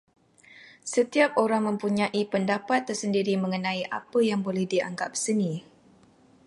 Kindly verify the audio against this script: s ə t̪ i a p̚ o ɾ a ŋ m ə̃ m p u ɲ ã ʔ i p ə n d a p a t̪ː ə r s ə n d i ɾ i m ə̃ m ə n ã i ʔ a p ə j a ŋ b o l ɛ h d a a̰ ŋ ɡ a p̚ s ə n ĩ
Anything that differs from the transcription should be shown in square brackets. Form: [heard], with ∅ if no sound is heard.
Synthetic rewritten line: s ə t̪ i a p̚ o ɾ a ŋ m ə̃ m p u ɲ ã ʔ i p ə n d a p a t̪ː ə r s ə n d i ɾ i m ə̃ [ŋ] ə n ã i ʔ a p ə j a ŋ b o l ɛ h d [i] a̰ ŋ ɡ a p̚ s ə n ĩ